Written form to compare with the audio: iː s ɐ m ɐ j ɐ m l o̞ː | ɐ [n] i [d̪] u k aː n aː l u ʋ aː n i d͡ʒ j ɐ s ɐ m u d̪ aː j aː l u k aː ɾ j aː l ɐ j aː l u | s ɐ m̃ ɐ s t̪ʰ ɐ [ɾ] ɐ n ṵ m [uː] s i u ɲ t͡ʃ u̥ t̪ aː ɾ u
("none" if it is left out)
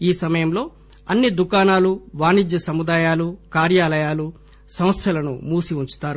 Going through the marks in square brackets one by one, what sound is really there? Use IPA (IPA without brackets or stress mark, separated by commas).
nː, d̪, l, uː